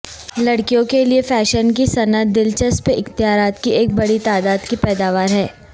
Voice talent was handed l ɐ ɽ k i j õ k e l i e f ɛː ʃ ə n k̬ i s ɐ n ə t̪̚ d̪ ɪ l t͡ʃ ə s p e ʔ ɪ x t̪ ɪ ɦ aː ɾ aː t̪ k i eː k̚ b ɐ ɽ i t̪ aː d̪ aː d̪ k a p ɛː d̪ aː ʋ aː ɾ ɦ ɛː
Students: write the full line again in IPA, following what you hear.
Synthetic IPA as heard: l ɐ ɽ k i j õ k e l i e f ɛː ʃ ə n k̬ i s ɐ n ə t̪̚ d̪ ɪ l t͡ʃ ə s p e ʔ ɪ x t̪ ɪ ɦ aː ɾ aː t̪ k i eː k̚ b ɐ ɽ i t̪ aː d̪ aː d̪ k i p ɛː d̪ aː ʋ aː ɾ ɦ ɛː